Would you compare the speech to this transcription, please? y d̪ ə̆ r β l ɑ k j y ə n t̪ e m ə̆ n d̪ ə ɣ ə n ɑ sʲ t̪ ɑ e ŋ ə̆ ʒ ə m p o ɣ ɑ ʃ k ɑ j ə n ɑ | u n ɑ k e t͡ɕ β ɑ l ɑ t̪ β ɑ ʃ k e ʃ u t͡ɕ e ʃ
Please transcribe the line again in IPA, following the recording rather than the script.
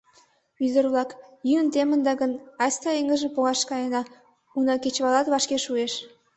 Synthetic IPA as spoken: y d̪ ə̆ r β l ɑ k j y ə n t̪ e m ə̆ n d̪ ɑ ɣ ə n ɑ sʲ t̪ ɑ e ŋ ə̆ ʒ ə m p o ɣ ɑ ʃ k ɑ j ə n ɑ | u n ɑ k e t͡ɕ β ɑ l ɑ t̪ β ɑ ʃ k e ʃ u e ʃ

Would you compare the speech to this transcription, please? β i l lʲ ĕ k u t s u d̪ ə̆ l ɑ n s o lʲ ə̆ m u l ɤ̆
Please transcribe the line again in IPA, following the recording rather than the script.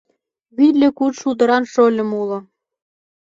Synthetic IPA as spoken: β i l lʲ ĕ k u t ʃ u d̪ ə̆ ɾ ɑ n ʃ o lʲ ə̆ m u l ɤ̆

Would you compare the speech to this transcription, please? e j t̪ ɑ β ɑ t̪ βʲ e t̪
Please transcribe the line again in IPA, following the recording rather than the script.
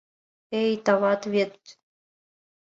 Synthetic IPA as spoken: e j t̪ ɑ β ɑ t̪ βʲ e t̪

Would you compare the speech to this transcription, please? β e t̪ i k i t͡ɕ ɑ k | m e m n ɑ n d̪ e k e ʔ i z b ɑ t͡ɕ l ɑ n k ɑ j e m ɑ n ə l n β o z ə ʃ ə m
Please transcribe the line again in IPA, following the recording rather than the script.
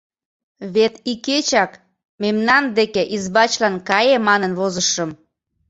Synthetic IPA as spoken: β e t̪ i k e t͡ɕ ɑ k | m e m n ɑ n d̪ e k e ʔ i z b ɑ t͡ɕ l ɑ n k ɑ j e m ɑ n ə n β o z ə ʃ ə m

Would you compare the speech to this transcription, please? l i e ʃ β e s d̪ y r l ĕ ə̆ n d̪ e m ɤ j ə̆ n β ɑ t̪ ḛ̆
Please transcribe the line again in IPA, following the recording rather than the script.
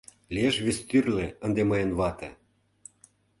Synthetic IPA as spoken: l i e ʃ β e s t̪ y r l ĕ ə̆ n d̪ e m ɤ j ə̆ n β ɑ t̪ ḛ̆

